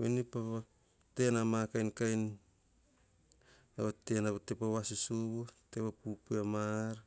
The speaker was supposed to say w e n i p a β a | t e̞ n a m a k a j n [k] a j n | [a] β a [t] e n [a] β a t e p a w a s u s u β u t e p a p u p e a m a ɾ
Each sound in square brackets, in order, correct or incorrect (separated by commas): correct, correct, correct, correct